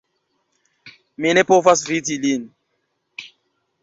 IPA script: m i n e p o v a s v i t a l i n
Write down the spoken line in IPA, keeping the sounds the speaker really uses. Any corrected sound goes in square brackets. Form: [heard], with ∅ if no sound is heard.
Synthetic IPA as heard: m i n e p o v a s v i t [i] l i n